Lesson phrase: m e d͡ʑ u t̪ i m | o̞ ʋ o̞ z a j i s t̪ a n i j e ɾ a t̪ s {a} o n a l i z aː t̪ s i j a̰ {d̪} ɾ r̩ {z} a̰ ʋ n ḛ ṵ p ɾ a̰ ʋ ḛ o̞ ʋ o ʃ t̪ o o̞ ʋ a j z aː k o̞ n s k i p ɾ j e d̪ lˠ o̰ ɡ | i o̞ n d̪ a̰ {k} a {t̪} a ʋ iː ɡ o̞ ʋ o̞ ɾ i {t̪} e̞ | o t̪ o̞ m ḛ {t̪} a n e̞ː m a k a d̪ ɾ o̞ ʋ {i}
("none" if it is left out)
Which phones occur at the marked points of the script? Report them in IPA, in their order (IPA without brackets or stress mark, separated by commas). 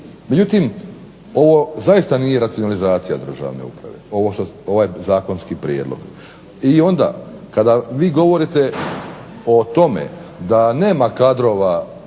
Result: i, d̪, ʒ, k, d̪, t̪, d̪, a